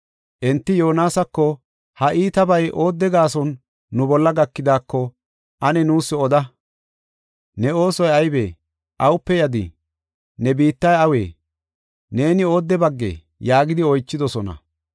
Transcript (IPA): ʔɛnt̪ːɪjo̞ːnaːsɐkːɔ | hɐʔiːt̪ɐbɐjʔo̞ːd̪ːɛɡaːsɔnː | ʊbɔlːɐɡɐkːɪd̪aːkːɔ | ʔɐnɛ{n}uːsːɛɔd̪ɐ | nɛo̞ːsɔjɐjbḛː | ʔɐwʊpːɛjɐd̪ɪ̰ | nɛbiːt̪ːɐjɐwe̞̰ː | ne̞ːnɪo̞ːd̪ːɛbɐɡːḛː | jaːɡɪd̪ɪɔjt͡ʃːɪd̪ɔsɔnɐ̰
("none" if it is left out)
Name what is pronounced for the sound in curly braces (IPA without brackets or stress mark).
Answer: n